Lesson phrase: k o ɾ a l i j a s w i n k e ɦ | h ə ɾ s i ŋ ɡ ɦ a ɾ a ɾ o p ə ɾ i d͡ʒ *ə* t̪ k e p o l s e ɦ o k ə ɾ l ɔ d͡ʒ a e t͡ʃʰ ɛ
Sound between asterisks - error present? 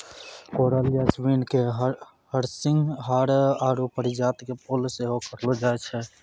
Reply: yes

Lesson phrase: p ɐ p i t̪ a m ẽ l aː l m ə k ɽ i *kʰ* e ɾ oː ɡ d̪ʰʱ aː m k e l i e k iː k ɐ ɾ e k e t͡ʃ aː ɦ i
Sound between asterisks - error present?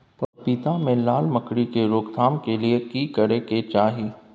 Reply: yes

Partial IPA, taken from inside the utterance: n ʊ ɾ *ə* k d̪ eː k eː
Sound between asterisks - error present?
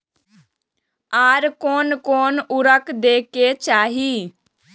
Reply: no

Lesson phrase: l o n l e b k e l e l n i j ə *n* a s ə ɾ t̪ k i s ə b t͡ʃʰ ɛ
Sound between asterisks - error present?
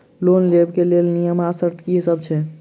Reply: yes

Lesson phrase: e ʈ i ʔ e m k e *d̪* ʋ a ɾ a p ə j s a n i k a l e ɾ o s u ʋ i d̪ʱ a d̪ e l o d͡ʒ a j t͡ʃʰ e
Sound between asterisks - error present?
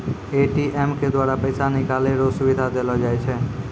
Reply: no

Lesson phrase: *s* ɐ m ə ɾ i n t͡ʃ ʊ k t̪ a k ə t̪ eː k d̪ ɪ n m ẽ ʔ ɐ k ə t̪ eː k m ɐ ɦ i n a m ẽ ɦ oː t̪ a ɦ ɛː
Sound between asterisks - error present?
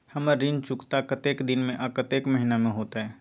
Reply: yes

